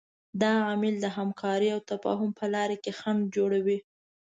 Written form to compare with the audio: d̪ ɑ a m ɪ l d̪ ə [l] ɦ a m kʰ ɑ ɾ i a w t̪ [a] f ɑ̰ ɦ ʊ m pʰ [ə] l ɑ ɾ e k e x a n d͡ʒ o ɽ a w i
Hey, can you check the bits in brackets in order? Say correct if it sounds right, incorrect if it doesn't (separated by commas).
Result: incorrect, correct, correct